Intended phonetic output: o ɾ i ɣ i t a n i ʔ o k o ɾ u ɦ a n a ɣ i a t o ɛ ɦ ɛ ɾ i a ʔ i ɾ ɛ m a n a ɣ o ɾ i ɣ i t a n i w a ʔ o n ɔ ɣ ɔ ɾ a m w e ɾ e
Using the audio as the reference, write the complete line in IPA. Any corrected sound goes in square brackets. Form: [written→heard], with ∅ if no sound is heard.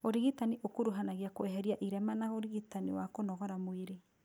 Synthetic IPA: o ɾ i ɣ i t a n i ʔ o k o ɾ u ɦ a n a ɣ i a [t→k] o ɛ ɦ ɛ ɾ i a ʔ i ɾ ɛ m a n a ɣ o ɾ i ɣ i t a n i w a [ʔ→k] o n ɔ ɣ ɔ ɾ a m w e ɾ e